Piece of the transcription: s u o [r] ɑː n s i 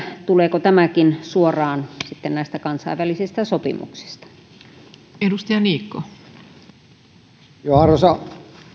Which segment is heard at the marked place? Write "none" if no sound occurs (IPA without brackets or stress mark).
r